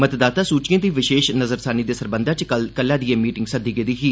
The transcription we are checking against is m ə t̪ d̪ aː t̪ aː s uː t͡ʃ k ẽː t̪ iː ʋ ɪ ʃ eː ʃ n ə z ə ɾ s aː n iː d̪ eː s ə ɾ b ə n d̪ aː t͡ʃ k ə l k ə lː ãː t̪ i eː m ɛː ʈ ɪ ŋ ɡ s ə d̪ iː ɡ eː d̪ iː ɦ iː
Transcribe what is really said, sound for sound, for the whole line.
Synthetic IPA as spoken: m ə t̪ d̪ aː t̪ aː s uː t͡ʃ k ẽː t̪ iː ʋ ɪ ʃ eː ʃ n ə z ə ɾ s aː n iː d̪ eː s ə ɾ b ə n d̪ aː t͡ʃ k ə l k ə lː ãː d̪ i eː m iː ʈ ɪ ŋ ɡ s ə d̪ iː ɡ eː d̪ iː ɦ iː